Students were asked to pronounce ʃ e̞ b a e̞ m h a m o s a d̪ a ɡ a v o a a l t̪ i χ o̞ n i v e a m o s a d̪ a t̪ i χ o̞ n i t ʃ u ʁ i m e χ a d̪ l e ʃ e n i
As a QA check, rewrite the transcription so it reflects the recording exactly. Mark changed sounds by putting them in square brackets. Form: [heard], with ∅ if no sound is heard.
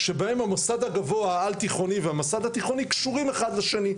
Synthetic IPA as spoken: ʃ e̞ b a e̞ m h a m o s a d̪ a ɡ a v o a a l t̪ i χ o̞ n i v e a m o s a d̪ a t̪ i χ o̞ n i [k] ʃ u ʁ i m e χ a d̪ l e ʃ e n i